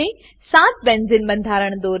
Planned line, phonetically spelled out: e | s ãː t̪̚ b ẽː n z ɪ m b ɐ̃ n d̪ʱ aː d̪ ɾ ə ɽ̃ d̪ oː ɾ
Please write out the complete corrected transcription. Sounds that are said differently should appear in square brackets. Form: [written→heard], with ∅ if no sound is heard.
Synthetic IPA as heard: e | s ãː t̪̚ b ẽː n z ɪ [m→n] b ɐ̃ n d̪ʱ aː [d̪→∅] ɾ ə ɽ̃ d̪ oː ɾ